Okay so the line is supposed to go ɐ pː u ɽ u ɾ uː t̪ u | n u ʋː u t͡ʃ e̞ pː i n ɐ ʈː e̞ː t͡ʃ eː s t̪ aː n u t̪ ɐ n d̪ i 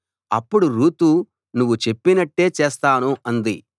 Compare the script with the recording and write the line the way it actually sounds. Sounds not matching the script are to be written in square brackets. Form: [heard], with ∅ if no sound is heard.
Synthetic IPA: ɐ pː u ɽ u ɾ uː t̪ u | n u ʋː u t͡ʃ e̞ pː i n ɐ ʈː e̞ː t͡ʃ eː s t̪ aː n u [∅] ɐ n d̪ i